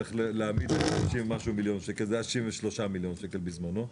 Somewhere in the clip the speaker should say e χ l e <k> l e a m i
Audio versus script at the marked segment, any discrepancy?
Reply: yes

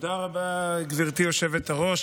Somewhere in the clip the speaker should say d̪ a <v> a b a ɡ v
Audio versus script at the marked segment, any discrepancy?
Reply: yes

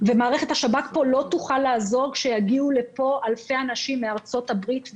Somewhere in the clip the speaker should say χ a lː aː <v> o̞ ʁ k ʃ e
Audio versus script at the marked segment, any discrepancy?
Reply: yes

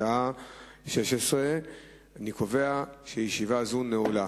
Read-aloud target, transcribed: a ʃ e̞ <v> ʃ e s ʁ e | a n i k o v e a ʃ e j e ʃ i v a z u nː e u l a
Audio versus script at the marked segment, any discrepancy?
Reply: yes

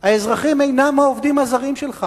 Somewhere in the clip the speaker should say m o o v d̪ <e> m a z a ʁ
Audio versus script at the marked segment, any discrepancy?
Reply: yes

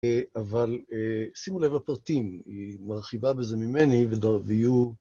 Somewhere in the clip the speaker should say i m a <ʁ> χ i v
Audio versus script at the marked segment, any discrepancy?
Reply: no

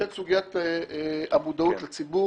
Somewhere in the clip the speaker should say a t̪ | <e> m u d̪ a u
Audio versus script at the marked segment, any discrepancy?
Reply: yes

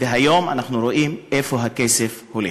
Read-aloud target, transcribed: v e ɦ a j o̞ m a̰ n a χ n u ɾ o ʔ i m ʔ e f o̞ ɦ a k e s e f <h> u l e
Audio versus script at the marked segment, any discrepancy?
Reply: no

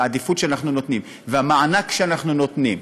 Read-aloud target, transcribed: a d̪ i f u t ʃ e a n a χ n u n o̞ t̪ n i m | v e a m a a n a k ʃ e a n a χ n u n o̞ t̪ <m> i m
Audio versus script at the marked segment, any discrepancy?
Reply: yes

